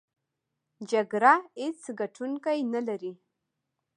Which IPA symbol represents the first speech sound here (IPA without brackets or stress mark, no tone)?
d͡ʒ